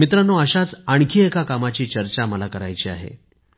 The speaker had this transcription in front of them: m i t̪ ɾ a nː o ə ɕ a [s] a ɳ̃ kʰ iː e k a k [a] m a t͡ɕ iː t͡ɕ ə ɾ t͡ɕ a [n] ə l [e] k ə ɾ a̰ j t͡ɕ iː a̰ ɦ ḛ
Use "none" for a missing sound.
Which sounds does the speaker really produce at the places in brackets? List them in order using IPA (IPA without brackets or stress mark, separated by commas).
t͡s, a, m, a